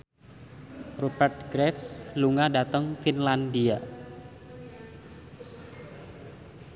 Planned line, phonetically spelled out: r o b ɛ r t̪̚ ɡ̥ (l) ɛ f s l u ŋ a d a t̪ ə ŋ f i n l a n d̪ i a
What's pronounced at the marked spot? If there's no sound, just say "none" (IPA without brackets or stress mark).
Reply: ɾ